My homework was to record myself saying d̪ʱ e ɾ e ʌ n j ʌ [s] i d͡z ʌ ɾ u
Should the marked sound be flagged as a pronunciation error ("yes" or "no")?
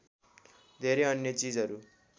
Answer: yes